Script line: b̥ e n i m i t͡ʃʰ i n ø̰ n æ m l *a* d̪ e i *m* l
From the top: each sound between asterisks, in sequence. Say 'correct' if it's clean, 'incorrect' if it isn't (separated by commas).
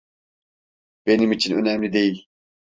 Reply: incorrect, incorrect